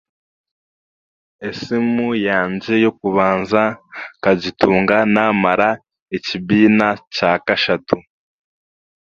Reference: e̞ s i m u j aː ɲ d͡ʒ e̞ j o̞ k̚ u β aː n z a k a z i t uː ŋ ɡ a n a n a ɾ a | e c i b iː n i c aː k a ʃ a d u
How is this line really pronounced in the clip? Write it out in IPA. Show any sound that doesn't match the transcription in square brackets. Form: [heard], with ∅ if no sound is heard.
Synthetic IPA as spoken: e̞ s i m u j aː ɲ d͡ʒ e̞ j o̞ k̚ u β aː n z a k a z i t uː ŋ ɡ a n a [m] a ɾ a | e c i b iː n [a] c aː k a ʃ a [t] u